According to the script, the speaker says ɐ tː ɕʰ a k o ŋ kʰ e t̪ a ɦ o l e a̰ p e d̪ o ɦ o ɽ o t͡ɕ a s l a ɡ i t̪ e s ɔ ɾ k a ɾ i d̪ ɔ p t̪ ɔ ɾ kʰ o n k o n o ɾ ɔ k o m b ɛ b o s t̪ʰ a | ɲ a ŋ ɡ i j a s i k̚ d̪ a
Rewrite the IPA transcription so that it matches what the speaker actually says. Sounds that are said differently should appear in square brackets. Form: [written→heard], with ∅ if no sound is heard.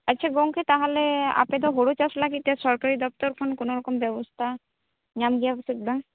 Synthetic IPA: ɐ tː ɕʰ a [k→ɡ] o ŋ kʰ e t̪ a ɦ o l e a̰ p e d̪ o ɦ o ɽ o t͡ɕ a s l a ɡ i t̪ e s ɔ ɾ k a ɾ i d̪ ɔ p t̪ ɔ ɾ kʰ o n k o n o ɾ ɔ k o m b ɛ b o s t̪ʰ a | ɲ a [ŋ→m] ɡ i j a s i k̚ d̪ a